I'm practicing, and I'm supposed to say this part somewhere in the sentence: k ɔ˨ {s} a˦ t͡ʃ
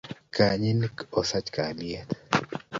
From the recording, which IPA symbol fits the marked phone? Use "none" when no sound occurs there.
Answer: s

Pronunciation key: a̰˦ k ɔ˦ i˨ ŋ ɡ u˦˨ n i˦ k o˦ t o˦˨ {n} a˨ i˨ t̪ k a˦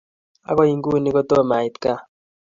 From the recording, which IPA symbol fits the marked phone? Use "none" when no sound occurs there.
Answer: m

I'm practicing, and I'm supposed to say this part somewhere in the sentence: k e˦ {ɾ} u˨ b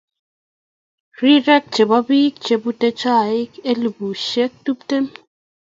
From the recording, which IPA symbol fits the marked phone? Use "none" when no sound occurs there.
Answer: l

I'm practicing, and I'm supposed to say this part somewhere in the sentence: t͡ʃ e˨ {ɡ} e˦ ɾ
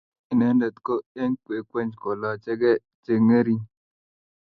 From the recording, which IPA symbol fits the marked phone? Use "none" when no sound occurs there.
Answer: ŋ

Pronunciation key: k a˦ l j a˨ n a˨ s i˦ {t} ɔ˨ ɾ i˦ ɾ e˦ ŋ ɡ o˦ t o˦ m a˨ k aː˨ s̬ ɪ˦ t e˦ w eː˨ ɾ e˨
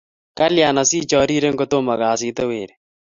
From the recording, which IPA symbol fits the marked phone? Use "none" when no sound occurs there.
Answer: t͡ʃ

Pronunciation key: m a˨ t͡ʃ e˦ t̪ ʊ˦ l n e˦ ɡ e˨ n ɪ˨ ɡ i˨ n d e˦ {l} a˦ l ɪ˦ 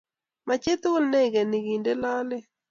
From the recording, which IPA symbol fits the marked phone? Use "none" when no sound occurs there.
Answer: l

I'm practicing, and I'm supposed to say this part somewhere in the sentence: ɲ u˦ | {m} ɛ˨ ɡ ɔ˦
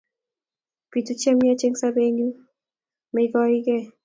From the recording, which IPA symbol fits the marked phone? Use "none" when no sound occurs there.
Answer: m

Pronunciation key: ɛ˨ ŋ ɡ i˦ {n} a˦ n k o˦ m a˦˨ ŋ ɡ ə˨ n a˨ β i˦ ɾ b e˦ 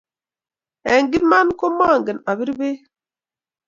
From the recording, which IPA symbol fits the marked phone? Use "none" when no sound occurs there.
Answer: m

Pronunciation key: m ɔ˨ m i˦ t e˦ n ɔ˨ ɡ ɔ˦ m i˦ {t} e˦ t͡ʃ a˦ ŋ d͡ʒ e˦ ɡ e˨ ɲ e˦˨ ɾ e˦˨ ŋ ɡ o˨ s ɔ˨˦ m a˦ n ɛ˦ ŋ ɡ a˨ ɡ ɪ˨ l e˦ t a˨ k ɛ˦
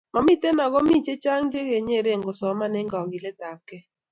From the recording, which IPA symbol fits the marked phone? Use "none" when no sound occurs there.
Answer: t͡ʃ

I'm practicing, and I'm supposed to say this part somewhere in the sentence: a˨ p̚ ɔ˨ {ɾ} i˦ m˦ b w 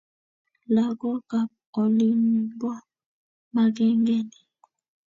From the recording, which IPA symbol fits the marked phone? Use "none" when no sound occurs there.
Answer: l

